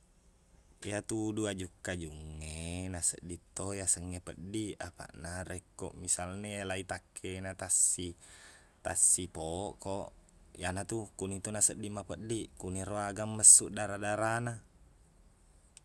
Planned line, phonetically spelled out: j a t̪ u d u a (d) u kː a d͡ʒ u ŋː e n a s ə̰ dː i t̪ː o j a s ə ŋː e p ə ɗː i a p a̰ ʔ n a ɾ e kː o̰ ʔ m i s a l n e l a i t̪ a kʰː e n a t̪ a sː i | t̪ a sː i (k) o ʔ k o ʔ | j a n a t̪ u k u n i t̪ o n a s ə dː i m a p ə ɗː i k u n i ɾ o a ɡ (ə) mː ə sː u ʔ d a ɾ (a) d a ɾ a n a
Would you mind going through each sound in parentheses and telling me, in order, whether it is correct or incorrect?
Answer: incorrect: d͡ʒ, incorrect: p, incorrect: a, correct

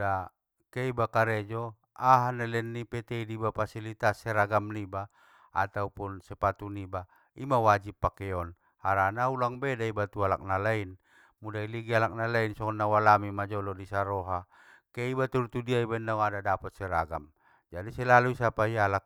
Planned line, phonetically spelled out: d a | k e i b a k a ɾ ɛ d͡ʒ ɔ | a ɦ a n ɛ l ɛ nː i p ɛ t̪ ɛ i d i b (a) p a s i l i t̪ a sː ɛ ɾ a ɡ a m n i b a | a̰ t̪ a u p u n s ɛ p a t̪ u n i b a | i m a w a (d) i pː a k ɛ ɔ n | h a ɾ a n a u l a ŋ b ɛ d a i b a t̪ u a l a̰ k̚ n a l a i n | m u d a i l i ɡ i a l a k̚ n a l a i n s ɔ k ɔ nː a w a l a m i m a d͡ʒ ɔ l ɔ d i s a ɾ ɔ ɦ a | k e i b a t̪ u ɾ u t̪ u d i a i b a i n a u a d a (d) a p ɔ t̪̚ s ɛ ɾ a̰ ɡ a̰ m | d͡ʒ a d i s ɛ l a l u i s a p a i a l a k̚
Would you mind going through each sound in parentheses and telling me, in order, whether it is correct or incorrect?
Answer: correct, incorrect: d͡ʒ, correct

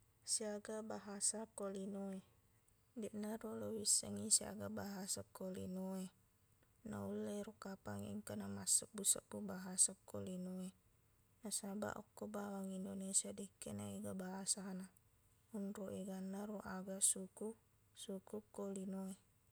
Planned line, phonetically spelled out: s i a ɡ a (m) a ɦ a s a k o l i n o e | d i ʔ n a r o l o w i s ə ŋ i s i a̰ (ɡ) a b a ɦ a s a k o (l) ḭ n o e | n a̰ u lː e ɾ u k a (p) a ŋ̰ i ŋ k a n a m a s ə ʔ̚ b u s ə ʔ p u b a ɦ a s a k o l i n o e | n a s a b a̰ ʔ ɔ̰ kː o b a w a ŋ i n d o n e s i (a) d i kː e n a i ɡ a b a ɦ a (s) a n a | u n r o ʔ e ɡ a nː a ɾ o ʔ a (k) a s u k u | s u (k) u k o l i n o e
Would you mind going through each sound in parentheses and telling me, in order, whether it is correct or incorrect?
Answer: incorrect: b, correct, correct, correct, correct, correct, incorrect: ɡ, correct

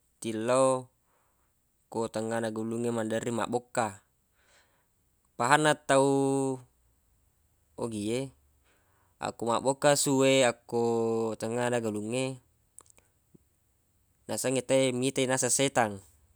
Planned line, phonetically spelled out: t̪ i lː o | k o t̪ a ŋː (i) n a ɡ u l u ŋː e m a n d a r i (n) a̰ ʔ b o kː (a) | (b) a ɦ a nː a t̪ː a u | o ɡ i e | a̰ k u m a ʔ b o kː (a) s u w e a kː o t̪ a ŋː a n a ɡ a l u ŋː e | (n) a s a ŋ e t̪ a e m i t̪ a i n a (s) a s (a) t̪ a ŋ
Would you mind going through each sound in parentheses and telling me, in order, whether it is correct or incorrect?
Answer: incorrect: a, incorrect: m, correct, incorrect: p, correct, correct, correct, incorrect: e

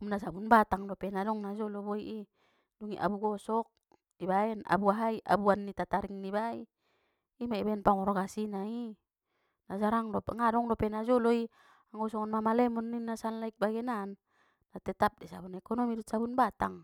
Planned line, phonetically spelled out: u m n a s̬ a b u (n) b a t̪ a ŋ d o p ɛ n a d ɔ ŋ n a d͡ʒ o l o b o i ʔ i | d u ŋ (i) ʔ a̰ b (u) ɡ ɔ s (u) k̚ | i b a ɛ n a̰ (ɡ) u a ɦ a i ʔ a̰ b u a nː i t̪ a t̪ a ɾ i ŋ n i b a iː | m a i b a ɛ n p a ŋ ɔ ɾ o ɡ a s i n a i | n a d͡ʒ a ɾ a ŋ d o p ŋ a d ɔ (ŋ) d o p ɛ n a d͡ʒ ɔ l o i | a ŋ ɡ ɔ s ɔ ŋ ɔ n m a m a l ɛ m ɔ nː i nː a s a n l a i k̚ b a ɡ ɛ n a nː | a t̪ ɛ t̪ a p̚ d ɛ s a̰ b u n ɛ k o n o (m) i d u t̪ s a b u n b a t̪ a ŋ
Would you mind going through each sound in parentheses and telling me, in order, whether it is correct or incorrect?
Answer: correct, correct, correct, incorrect: ɔ, incorrect: b, correct, correct

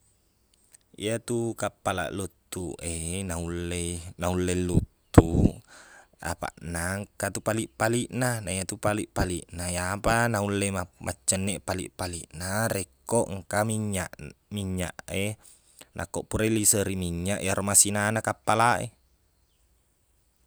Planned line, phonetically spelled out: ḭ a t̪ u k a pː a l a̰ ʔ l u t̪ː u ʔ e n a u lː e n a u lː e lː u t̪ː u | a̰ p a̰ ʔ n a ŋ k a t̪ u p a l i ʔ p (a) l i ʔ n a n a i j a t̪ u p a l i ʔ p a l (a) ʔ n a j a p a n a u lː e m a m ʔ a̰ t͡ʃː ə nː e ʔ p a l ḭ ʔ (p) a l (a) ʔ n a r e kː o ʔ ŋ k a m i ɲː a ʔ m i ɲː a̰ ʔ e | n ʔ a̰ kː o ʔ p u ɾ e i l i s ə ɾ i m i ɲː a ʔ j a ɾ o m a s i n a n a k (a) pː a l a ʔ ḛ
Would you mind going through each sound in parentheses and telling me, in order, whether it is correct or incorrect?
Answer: correct, incorrect: i, correct, incorrect: i, correct

